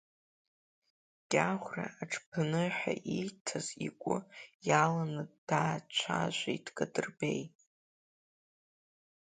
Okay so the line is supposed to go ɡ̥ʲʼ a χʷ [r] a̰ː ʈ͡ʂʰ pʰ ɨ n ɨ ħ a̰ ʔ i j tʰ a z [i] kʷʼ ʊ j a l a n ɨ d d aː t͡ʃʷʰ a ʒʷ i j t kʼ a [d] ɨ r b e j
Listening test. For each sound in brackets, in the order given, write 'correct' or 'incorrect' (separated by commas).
correct, correct, correct